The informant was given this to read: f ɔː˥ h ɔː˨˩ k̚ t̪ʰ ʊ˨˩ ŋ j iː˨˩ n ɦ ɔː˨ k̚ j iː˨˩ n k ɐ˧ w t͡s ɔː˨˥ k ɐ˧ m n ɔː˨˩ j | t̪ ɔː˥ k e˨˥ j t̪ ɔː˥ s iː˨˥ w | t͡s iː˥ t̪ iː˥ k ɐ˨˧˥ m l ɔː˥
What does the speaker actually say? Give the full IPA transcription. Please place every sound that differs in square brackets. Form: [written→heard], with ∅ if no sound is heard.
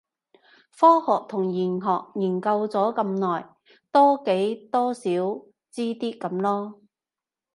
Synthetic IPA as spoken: f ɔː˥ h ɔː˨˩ k̚ t̪ʰ ʊ˨˩ ŋ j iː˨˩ n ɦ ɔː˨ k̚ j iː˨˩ n k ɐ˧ w t͡s ɔː˨˥ k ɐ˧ m n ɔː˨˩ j | t̪ ɔː˥ k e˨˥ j t̪ ɔː˥ s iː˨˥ w | t͡s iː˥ t̪ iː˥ k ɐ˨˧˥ m l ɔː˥